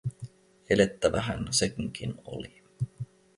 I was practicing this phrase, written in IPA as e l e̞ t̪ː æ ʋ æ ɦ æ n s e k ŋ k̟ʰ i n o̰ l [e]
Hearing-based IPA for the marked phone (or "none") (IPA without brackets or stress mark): i